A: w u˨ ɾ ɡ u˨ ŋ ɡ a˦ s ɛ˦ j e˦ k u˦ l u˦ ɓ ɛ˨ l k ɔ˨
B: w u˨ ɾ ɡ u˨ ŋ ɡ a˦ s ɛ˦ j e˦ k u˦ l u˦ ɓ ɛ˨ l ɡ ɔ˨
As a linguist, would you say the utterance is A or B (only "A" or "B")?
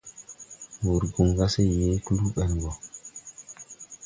B